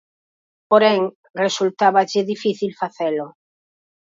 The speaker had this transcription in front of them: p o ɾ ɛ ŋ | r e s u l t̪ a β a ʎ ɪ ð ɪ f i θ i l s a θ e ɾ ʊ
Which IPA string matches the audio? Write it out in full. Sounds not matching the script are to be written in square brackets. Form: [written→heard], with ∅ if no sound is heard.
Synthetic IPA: p o ɾ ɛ ŋ | r e s u l t̪ a β a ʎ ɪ ð [ɪ→i] f i θ i l [s→f] a θ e [ɾ→l] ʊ